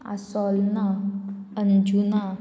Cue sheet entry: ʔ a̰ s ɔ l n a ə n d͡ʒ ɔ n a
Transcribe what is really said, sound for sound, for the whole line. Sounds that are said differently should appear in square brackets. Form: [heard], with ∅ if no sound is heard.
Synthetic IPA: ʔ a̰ s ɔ l n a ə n d͡ʒ [u] n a